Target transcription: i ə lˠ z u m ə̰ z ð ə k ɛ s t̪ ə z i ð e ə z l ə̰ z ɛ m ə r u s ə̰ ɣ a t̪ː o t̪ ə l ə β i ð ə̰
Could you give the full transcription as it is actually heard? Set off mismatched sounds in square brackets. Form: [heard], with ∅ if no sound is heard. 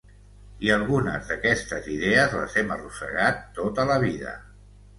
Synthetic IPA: i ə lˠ [ɣ] u [n] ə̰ z ð ə k ɛ s t̪ ə z i ð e ə z l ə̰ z ɛ m ə r u s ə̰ ɣ a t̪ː o t̪ ə l ə β i ð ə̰